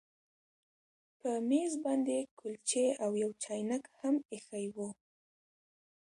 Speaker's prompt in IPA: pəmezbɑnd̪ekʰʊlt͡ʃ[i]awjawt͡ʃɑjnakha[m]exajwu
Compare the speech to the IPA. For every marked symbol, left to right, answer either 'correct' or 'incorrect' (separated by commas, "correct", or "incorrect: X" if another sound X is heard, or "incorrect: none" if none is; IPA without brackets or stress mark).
incorrect: e, correct